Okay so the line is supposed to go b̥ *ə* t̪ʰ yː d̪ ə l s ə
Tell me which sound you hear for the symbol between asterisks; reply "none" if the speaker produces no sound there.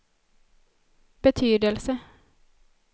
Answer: ə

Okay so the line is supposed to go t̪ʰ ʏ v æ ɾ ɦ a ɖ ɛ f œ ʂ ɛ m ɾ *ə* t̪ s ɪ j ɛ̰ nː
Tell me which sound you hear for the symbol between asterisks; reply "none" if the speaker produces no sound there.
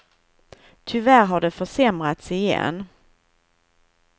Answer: a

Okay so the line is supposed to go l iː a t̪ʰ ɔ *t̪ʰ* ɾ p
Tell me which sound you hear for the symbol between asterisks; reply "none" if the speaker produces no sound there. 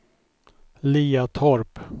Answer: none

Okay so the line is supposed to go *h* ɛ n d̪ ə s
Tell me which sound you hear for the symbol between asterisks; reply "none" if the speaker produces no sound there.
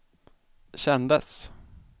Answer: ɕ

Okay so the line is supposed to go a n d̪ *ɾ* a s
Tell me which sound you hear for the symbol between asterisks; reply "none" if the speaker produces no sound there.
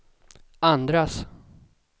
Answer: ɾ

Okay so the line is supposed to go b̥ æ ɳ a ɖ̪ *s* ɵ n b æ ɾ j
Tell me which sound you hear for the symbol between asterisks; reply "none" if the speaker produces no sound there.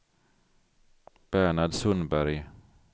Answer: s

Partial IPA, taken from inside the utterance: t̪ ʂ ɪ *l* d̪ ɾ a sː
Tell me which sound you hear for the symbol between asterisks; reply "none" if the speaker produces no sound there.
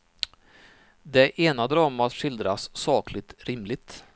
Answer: l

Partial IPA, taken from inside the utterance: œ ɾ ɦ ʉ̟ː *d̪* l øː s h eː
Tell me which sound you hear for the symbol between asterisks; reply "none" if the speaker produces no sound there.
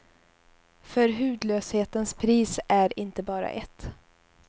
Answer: d̪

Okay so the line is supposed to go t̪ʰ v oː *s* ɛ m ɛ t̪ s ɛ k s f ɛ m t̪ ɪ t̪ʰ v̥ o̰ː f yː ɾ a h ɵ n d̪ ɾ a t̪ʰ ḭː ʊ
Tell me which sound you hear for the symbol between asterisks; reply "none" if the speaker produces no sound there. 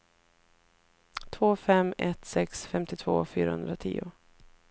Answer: f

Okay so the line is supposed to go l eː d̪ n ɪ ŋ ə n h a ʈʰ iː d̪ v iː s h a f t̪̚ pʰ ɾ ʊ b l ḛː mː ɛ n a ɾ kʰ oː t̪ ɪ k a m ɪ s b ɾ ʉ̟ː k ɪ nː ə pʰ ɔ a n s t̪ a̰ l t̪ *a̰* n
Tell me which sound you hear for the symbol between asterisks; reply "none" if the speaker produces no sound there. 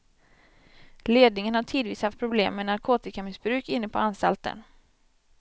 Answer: ə̰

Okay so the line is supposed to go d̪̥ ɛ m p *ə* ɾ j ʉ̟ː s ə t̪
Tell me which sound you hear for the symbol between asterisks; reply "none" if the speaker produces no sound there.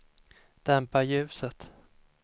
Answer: a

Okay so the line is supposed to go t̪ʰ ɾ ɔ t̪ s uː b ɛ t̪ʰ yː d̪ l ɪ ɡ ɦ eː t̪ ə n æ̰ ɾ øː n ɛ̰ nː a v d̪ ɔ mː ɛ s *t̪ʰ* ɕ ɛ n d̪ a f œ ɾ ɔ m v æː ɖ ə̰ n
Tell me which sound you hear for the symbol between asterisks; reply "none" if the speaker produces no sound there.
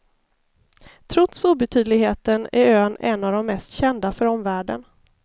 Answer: t̪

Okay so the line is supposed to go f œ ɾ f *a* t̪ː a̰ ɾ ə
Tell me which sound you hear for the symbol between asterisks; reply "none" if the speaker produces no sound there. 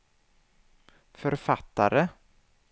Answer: a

